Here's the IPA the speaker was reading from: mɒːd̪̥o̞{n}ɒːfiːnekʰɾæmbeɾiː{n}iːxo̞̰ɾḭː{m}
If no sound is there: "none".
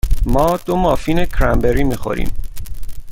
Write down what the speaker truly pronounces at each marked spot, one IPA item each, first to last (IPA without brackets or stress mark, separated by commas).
m, m, m